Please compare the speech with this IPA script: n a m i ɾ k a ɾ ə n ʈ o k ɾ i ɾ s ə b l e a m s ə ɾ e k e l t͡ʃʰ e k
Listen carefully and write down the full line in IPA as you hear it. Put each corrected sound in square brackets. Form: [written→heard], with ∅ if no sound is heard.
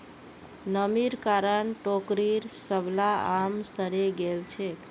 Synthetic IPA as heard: n [a→ə] m i ɾ k a ɾ ə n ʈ o k ɾ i ɾ s ə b l [e→a] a m s ə ɾ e [k→ɡ] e l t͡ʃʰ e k